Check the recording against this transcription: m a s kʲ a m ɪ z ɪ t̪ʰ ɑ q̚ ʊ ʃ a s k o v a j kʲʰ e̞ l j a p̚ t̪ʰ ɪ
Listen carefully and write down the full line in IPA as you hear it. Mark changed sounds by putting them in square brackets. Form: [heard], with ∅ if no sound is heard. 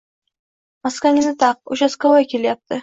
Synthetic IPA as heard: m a s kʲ a [ŋ] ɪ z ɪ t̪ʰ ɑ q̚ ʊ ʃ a s k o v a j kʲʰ e̞ l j a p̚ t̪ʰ ɪ